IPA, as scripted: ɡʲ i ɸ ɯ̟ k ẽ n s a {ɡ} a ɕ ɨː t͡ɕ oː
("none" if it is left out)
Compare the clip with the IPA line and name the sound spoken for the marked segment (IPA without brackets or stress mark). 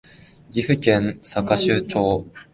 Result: k